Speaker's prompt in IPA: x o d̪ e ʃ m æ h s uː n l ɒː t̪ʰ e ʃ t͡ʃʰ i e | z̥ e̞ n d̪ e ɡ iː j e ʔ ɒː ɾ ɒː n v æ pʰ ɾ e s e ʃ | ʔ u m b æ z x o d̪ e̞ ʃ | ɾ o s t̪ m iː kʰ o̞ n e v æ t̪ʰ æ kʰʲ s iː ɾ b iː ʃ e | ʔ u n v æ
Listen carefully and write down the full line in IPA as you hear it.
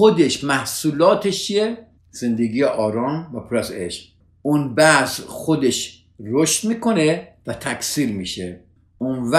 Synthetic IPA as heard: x o d̪ e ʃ m æ h s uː l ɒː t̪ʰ e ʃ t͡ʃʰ i e | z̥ e̞ n d̪ e ɡ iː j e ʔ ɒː ɾ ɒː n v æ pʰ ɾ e s e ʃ | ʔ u n b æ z x o d̪ e̞ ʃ | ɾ o ʃ t̪ m iː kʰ o̞ n e v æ t̪ʰ æ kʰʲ s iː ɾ m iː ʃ e | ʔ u n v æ